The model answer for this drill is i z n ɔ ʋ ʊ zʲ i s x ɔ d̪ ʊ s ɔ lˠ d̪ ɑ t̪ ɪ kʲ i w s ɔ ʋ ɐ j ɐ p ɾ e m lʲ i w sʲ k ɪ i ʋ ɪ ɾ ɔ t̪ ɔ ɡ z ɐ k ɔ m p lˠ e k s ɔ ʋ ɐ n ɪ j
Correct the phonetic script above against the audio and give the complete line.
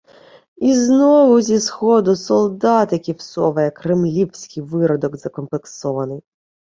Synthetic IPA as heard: i z n ɔ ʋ ʊ zʲ i s x ɔ d̪ ʊ s ɔ lˠ d̪ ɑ t̪ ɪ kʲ i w s ɔ ʋ ɐ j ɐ k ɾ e m lʲ i w sʲ k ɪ j ʋ ɪ ɾ ɔ d̪ ɔ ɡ z ɐ k ɔ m p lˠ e k s ɔ ʋ ɐ n ɪ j